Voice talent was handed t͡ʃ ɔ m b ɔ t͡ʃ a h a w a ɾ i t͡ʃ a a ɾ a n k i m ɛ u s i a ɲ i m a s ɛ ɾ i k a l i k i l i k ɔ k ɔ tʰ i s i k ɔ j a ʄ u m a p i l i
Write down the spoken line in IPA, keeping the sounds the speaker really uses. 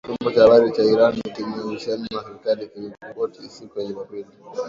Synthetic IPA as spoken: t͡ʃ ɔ m b ɔ t͡ʃ a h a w a ɾ i t͡ʃ a i ɾ a n k i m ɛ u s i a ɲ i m a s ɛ ɾ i k a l i k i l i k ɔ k ɔ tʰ i s i k u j a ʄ u m a p i l i